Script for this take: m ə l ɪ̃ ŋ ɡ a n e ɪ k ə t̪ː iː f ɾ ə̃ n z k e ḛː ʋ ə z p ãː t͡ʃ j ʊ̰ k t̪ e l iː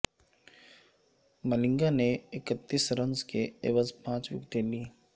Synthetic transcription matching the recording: m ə l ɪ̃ ŋ ɡ a n e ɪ k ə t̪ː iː s ɾ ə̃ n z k e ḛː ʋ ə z p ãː t͡ʃ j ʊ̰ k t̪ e l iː